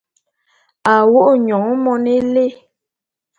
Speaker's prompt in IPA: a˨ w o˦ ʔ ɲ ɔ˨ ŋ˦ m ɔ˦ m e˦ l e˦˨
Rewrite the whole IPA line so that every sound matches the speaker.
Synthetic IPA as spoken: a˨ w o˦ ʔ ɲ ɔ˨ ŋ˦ m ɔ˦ n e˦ l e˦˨